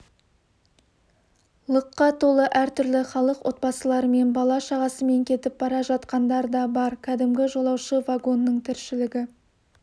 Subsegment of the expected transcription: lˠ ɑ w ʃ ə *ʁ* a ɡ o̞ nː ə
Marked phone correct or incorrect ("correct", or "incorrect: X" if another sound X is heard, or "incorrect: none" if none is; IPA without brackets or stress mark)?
incorrect: v